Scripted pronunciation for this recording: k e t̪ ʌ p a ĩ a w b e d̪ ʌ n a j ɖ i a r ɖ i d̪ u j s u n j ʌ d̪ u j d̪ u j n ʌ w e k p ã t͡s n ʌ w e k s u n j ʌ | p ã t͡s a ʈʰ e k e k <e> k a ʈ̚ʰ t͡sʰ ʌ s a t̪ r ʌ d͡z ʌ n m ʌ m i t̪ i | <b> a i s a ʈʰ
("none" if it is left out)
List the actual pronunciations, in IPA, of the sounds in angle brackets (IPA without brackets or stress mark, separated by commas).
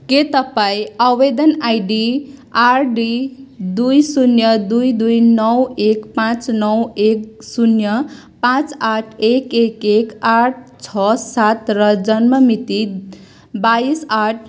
e, b